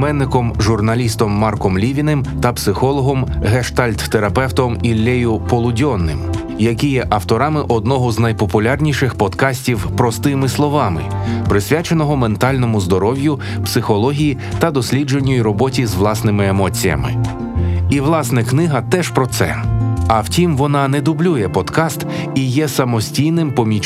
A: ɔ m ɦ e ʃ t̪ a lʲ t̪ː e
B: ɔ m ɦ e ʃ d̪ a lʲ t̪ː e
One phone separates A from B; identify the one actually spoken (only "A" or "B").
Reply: A